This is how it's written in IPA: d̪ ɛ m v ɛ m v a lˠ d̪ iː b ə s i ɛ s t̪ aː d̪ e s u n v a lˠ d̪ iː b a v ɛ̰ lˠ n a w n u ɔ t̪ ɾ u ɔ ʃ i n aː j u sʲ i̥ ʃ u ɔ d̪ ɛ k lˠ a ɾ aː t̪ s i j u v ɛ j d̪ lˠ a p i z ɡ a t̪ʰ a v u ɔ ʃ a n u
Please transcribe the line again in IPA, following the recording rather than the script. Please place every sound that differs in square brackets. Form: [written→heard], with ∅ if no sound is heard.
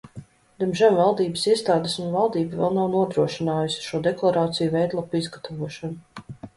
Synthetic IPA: d̪ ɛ m [v→ʒ] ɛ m v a lˠ d̪ iː b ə s i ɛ s t̪ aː d̪ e s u n v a lˠ d̪ iː b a v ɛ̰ lˠ n a w n u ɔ [t̪→d̪] ɾ u ɔ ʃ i n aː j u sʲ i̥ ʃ u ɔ d̪ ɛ k lˠ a ɾ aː t̪ s i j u v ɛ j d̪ lˠ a p i z ɡ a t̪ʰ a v u ɔ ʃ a n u